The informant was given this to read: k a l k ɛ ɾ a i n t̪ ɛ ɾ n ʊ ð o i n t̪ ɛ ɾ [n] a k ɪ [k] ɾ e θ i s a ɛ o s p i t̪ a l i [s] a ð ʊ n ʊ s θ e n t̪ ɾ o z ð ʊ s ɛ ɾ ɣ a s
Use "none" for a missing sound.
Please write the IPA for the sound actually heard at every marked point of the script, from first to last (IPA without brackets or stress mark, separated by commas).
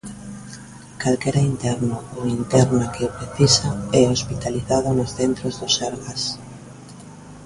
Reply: n, p, θ